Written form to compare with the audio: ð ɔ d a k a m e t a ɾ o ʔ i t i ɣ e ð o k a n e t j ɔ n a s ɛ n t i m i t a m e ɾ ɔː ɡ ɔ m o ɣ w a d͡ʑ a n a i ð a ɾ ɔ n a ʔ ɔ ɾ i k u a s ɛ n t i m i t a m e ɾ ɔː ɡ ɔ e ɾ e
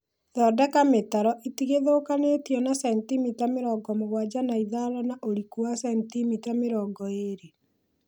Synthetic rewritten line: ð ɔ d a k a m e t a ɾ ɔ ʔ i t i ɣ e ð o k a n e t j ɔ n a s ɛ n t i m i t a m e ɾ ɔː ɡ ɔ m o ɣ w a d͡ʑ a n a i ð a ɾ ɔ n a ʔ o ɾ i k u a s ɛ n t i m i t a m e ɾ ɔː ɡ ɔ e ɾ e